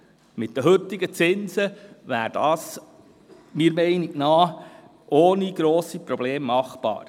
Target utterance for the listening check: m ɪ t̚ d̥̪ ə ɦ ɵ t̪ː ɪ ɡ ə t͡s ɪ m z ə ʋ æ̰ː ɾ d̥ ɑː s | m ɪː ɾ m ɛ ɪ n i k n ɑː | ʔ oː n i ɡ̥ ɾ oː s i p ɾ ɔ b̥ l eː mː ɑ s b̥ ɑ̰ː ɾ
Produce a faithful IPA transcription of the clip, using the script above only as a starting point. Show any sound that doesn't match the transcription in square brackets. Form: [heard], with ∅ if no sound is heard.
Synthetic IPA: m ɪ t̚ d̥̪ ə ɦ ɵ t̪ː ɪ ɡ ə t͡s ɪ [n] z ə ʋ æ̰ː ɾ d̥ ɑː s | m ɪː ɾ m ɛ ɪ n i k n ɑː | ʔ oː n i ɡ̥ ɾ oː s i p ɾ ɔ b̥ l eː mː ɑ [χ] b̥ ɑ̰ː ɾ